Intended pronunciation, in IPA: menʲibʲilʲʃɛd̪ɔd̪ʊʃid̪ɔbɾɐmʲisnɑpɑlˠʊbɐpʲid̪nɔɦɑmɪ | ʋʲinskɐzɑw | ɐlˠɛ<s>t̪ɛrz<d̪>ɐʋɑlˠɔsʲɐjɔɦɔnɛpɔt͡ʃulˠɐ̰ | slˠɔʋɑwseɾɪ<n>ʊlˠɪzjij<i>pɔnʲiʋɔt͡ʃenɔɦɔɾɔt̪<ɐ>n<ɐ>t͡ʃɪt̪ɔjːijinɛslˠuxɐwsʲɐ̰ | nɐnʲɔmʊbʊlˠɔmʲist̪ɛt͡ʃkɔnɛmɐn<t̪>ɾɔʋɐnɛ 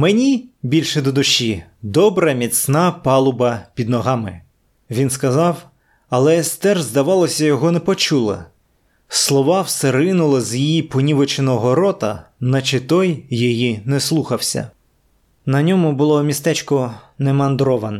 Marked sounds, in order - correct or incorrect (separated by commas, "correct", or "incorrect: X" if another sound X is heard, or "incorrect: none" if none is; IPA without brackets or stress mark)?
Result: correct, correct, correct, correct, correct, correct, incorrect: d̪